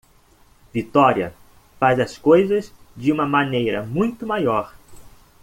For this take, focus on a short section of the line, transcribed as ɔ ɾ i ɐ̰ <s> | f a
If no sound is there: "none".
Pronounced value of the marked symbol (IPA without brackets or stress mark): none